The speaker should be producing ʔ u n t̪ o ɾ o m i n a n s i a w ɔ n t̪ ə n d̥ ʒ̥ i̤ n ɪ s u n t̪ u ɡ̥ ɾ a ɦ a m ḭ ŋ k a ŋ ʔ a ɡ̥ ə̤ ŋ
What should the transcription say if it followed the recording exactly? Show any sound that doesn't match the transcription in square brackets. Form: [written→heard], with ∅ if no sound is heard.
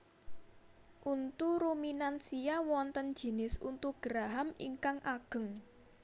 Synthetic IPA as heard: ʔ u n t̪ [o→u] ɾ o m i n a n s i a w ɔ n t̪ ə n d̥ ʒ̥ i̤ n ɪ s u n t̪ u ɡ̥ ɾ a ɦ a m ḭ ŋ k a ŋ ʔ a ɡ̥ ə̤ ŋ